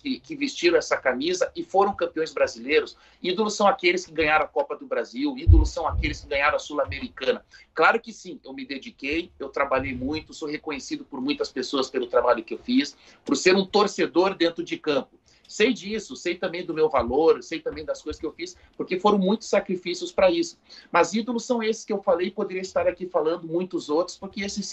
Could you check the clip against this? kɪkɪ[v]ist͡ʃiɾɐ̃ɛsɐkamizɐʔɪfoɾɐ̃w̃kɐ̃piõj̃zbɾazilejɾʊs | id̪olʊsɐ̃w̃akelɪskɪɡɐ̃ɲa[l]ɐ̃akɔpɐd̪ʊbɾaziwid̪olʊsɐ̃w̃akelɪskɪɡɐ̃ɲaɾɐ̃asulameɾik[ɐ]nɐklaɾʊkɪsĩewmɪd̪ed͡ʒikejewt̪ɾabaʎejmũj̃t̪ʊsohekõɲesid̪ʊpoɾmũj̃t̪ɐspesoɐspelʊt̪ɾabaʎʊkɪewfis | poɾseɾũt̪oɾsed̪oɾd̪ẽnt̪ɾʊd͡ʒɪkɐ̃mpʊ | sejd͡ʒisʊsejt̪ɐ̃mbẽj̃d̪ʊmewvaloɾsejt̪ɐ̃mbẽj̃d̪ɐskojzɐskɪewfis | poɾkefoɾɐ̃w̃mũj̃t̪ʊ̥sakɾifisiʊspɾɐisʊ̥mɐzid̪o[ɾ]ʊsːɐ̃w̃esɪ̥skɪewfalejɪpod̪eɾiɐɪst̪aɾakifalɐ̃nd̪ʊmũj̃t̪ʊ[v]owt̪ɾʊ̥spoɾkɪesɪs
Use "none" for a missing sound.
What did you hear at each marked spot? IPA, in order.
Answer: v, ɾ, ɐ̃, l, z

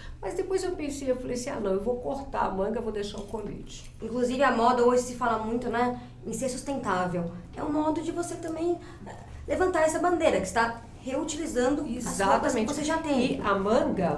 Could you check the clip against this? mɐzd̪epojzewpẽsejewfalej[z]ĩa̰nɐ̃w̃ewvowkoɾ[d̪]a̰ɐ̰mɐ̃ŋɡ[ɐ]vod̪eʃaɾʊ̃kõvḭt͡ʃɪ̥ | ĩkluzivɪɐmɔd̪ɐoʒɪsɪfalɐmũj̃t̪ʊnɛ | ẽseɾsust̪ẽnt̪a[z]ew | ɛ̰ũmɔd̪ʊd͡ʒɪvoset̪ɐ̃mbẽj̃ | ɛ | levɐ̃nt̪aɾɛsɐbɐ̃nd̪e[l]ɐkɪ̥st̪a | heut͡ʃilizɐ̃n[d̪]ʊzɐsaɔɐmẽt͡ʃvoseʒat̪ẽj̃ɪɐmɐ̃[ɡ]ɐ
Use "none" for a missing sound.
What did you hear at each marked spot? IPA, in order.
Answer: s, t̪, ɐ, v, ɾ, d̪, ɡ

